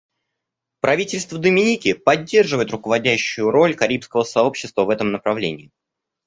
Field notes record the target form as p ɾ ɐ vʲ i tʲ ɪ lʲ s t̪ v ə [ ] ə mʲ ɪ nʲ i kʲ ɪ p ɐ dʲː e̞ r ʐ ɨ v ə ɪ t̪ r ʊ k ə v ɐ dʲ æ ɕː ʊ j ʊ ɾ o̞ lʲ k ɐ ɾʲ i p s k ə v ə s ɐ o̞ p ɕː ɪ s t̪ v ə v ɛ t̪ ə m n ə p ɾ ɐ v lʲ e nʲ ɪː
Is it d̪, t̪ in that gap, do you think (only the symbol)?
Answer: d̪